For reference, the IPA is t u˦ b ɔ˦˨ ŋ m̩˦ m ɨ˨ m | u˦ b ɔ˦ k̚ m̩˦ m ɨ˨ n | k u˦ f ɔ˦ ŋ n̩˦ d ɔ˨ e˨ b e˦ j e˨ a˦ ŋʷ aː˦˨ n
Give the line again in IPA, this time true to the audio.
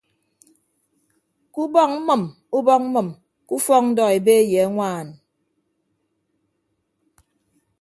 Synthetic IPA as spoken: k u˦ b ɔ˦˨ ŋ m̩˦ m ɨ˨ m | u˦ b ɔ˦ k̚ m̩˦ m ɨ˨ m | k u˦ f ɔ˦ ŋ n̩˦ d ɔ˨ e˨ b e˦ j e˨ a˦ ŋʷ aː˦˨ n